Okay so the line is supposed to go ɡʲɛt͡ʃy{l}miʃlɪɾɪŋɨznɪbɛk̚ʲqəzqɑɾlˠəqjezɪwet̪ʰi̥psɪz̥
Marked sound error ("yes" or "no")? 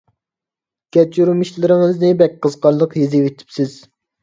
yes